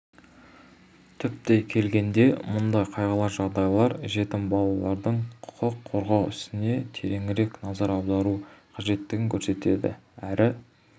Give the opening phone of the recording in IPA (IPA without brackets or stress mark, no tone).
t̪ʰ